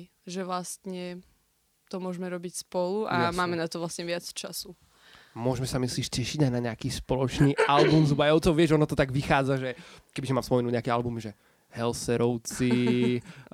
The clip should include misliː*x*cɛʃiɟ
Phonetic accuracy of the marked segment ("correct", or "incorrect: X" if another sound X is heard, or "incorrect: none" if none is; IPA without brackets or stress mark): incorrect: ʃ